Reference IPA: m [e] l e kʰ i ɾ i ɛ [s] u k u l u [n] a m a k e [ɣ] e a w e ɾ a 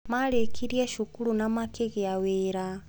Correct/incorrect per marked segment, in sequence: incorrect: a, incorrect: ʃ, correct, correct

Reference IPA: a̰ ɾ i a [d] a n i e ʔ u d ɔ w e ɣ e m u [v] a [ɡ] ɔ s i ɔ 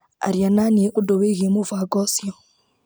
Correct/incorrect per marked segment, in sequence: incorrect: n, correct, correct

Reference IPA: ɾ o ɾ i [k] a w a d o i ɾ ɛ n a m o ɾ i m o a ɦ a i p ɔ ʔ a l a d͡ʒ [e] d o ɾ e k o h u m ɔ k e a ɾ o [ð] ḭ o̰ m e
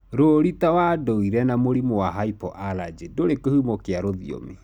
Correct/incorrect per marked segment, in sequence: incorrect: t, correct, correct

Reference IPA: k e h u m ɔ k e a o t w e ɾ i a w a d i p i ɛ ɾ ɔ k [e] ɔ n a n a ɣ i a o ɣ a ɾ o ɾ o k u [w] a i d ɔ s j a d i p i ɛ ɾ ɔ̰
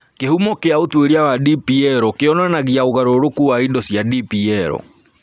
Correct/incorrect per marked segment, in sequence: correct, correct

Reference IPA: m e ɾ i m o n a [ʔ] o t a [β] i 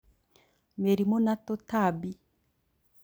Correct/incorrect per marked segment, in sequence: incorrect: t, incorrect: b

